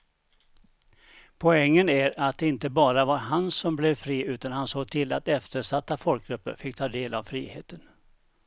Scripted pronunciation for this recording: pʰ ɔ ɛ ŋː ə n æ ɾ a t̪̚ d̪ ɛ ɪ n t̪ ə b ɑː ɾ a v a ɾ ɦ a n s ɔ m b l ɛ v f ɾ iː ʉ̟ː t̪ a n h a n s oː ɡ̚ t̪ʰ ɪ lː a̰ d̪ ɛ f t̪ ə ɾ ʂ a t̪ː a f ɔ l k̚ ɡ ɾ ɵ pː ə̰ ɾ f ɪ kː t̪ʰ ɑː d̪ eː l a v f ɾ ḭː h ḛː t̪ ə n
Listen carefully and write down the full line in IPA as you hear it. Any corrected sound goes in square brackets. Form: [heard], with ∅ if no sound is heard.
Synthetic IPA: pʰ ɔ ɛ ŋː ə n æ ɾ a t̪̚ d̪ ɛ ɪ n t̪ ə b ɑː ɾ a v a ɾ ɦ a n s ɔ m b l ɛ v f ɾ iː ʉ̟ː t̪ a n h a n s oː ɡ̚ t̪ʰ ɪ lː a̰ [t̪] ɛ f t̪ ə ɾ ʂ a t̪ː a f ɔ l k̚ ɡ ɾ ɵ pː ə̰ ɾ f ɪ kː t̪ʰ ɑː d̪ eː l a v f ɾ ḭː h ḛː t̪ ə n